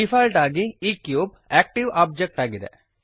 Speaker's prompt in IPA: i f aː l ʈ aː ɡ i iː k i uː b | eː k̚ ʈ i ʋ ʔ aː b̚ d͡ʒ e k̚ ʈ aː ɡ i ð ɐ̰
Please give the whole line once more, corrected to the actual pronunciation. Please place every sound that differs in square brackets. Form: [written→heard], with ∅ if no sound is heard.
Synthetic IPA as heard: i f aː l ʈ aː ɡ i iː k [i→j] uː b | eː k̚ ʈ i ʋ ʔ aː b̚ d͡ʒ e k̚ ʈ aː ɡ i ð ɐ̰